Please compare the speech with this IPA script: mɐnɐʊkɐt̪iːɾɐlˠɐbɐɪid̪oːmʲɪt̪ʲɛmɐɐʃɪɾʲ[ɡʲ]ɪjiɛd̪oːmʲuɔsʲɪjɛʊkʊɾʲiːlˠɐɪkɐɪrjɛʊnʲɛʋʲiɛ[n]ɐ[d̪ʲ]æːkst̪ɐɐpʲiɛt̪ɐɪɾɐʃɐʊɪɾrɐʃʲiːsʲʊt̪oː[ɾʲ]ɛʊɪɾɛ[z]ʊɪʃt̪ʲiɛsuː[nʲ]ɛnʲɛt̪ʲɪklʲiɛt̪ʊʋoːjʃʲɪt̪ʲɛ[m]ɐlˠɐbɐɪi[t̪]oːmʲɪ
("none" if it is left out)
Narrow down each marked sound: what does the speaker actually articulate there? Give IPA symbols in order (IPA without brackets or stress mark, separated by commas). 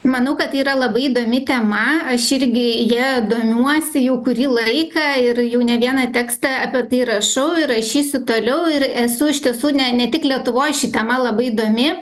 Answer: ɡʲ, n, t̪ʲ, lʲ, s, nʲ, m, d̪